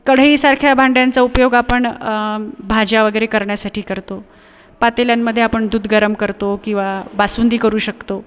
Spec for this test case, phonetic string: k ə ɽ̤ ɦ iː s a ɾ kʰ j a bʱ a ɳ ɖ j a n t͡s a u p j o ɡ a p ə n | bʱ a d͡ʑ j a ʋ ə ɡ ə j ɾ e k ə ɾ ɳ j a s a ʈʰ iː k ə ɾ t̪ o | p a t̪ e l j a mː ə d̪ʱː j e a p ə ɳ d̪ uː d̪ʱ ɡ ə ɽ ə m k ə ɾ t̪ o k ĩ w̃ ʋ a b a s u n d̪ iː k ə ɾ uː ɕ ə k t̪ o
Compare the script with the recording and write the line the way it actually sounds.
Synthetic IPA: k ə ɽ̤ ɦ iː s a ɾ kʰ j a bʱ a ɳ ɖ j a n t͡s a u p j o ɡ a p ə ɳ | bʱ a d͡ʑ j a ʋ ə ɡ ə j ɾ e k ə ɾ ɳ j a s a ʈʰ iː k ə ɾ t̪ o | p a t̪ e l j a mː ə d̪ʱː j e a p ə ɳ d̪ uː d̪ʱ ɡ ə ɾ ə m k ə ɾ t̪ o k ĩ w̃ ʋ a b a s u n d̪ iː k ə ɾ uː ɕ ə k t̪ o